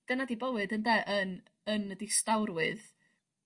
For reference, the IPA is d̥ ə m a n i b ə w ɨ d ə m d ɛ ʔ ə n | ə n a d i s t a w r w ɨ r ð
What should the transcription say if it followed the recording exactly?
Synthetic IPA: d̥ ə n a d i b ə w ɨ d ə n d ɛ ʔ ə n | ə n ə d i s t a w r w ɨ ð